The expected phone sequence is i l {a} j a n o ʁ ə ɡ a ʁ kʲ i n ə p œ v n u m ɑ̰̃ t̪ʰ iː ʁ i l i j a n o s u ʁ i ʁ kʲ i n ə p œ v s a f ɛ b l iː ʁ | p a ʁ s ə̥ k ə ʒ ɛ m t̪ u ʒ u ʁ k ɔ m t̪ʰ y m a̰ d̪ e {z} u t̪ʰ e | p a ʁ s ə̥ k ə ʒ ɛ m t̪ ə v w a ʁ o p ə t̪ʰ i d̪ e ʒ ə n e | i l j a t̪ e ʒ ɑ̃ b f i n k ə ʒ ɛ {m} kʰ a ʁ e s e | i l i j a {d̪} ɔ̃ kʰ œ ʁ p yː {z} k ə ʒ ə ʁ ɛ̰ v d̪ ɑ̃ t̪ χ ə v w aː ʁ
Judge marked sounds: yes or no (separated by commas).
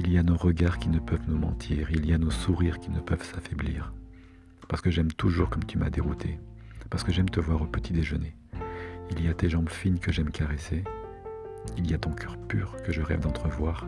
no, no, yes, no, no